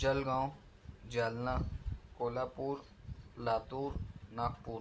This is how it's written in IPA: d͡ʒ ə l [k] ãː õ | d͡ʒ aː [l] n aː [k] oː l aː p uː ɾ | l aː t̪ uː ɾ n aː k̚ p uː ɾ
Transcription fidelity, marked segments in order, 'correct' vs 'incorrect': incorrect, correct, correct

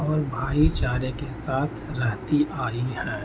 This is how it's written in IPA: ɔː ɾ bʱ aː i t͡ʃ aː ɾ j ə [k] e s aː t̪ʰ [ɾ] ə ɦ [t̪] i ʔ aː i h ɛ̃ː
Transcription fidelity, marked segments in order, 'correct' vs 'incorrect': correct, correct, correct

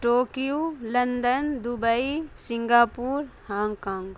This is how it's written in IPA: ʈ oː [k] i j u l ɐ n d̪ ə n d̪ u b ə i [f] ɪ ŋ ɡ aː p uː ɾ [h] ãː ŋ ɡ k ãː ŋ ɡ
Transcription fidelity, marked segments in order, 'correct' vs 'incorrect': correct, incorrect, correct

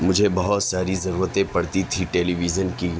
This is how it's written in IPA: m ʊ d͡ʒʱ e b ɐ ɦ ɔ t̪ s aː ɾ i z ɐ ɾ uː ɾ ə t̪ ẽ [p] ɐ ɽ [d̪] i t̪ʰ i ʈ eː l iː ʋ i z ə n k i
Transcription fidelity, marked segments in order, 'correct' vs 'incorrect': correct, incorrect

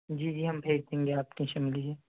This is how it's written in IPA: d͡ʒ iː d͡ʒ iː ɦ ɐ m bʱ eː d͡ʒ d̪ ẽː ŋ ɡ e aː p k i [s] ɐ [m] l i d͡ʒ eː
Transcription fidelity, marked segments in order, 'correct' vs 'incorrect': incorrect, correct

